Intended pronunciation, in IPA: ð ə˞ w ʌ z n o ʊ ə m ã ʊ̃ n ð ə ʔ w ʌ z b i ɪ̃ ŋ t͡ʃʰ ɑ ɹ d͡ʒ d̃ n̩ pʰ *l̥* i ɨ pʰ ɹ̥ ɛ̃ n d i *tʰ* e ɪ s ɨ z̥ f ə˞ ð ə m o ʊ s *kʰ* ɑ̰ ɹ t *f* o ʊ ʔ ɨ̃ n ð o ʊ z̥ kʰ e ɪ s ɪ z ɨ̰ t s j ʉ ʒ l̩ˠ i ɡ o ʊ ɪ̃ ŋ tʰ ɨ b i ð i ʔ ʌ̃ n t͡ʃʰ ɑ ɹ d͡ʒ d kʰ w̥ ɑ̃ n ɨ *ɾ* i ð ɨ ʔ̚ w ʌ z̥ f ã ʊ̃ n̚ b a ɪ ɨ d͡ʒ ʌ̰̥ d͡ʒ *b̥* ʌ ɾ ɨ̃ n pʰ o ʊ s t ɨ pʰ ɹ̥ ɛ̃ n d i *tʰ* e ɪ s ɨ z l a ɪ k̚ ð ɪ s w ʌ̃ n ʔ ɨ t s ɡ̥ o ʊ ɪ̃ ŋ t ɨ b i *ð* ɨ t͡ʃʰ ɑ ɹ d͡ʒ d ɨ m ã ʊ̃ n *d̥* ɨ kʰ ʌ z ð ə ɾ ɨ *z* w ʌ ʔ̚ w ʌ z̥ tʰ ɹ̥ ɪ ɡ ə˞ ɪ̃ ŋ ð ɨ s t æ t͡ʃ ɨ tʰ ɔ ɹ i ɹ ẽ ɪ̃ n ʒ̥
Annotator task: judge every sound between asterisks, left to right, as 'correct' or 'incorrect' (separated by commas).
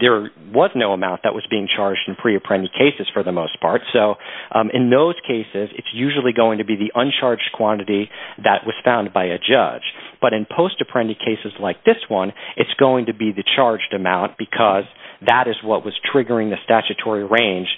incorrect, incorrect, incorrect, incorrect, correct, correct, incorrect, correct, incorrect, correct